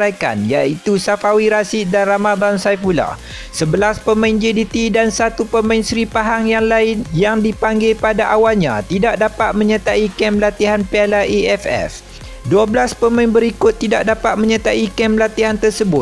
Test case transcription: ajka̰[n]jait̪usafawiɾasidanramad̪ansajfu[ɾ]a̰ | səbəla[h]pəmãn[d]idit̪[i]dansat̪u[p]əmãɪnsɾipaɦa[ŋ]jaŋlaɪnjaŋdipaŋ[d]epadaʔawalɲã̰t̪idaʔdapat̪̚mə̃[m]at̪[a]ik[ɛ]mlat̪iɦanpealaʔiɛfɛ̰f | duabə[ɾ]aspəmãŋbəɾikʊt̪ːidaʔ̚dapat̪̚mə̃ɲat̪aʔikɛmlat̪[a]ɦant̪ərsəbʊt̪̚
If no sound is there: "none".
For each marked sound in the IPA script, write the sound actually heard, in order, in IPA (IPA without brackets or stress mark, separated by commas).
n, l, s, d͡ʒ, i, p, ŋ, ɡ, ɲ, a, ɛ, l, i